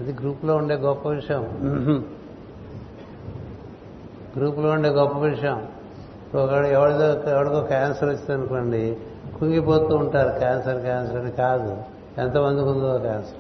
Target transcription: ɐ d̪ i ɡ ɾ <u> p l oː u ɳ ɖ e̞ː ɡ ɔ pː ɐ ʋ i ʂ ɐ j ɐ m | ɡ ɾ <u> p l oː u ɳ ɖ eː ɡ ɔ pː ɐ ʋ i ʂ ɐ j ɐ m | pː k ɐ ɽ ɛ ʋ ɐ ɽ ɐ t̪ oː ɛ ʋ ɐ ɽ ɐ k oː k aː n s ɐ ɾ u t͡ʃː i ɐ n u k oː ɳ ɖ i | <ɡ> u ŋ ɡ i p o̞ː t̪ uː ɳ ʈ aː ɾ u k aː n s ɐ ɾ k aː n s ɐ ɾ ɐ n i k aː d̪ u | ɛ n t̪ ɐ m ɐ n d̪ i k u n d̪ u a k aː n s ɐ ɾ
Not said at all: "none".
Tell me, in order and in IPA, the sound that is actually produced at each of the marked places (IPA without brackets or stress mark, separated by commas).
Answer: uː, uː, k